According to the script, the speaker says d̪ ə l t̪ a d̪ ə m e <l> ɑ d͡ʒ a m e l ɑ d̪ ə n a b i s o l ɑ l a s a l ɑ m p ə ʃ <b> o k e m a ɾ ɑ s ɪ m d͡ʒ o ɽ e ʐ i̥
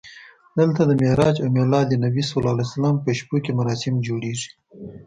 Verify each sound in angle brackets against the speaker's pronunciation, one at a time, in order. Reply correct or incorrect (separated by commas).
incorrect, incorrect